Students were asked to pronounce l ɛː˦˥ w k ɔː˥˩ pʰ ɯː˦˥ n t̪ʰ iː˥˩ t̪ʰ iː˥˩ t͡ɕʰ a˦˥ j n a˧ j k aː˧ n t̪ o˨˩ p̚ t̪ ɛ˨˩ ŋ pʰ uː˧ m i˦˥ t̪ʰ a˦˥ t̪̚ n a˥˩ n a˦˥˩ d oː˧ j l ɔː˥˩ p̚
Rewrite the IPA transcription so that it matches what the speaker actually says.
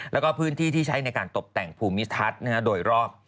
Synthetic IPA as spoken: l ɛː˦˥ w k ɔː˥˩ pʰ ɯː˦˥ n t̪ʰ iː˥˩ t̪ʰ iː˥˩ t͡ɕʰ a˦˥ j n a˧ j k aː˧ n t̪ o˨˩ p̚ t̪ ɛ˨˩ ŋ pʰ uː˧ m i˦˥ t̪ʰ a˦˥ t̪̚ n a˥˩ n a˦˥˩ d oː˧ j ɾ ɔː˥˩ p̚

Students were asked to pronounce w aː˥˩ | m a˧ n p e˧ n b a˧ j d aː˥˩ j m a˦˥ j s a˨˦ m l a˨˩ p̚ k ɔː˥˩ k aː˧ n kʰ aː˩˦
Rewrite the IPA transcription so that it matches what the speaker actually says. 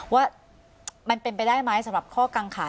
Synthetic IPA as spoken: w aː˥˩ | m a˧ n p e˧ n p a˧ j d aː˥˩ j m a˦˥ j s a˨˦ m ɾ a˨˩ p̚ kʰ ɔː˥˩ k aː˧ ŋ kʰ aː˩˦

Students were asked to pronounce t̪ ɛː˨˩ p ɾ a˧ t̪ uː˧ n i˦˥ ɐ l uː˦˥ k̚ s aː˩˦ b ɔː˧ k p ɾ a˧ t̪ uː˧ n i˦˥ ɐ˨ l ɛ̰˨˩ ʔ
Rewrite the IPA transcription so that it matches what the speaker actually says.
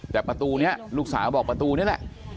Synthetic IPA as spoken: t̪ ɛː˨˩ p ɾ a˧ t̪ uː˧ n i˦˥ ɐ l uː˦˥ k̚ s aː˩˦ b ɔː˨˩ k p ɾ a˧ t̪ uː˧ n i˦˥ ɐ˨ l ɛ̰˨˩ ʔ

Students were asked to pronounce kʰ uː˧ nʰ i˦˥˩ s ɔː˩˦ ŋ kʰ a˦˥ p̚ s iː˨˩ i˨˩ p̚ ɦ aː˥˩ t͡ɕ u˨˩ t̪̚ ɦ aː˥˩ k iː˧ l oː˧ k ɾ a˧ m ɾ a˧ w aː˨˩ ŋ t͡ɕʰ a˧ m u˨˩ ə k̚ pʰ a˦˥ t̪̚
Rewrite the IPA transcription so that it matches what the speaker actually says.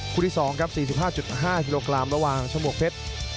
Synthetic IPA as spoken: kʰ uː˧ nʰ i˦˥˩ s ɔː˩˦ ŋ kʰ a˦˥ p̚ s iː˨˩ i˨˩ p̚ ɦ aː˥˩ t͡ɕ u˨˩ t̪̚ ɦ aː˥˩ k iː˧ l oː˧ k ɾ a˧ m ɾ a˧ w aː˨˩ ŋ t͡ɕʰ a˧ m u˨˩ ə k̚ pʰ e˦˥ t̪̚

